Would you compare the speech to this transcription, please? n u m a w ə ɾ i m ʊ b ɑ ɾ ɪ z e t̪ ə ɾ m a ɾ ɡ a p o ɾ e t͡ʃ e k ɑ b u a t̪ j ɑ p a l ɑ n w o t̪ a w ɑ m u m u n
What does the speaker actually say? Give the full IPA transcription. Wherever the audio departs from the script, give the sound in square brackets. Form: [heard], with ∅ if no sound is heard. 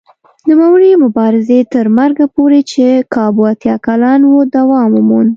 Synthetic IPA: n u m a w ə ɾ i m ʊ b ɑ ɾ ɪ z e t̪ ə ɾ m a ɾ ɡ a p o ɾ e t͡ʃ e k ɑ b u a t̪ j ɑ [k] a l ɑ n w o [d̪] a w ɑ m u m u n